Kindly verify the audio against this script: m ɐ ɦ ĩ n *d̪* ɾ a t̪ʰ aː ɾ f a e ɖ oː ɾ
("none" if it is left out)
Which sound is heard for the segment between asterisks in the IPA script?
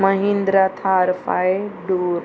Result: d̪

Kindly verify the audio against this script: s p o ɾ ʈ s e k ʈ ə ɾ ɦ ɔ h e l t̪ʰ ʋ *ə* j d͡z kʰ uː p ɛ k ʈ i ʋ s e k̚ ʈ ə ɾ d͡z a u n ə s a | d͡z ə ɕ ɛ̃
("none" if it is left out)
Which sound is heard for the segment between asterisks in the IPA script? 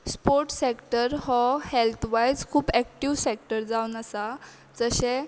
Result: a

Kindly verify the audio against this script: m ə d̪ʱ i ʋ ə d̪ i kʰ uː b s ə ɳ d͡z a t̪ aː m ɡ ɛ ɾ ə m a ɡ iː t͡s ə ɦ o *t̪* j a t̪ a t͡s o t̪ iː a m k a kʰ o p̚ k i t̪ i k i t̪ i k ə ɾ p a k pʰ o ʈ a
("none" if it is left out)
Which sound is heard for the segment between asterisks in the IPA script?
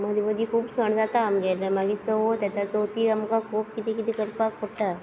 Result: t̪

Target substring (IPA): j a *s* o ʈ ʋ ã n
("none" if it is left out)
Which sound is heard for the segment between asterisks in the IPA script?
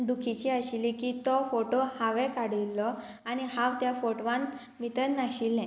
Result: f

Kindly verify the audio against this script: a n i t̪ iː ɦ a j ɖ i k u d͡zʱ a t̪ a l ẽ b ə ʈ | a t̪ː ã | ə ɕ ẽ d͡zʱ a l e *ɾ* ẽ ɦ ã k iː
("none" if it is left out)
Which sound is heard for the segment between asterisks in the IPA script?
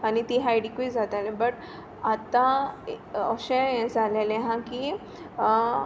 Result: l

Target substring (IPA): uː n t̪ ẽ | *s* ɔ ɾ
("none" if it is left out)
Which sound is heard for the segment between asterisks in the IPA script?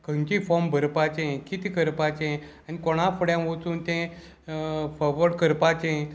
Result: f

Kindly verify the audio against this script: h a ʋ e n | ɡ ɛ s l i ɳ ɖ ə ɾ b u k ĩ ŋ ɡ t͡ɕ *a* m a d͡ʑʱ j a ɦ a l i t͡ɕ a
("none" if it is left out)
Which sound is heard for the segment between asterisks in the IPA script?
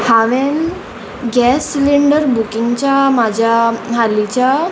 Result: a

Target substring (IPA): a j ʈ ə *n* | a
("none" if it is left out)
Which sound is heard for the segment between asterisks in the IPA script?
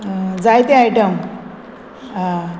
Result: m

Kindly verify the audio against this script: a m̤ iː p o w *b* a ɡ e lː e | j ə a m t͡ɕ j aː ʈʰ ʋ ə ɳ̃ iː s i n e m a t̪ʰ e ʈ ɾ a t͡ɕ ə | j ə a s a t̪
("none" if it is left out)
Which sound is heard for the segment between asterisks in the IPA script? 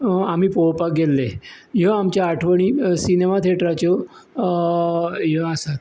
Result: p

